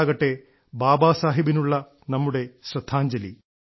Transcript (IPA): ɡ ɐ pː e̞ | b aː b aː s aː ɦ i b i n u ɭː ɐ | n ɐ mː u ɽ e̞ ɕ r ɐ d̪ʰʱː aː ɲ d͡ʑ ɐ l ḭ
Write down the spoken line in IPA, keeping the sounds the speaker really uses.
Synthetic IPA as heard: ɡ ɐ ʈː e̞ | b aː b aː s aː ɦ i b i n u ɭː ɐ | n ɐ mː u ɽ e̞ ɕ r ɐ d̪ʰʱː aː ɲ d͡ʑ ɐ l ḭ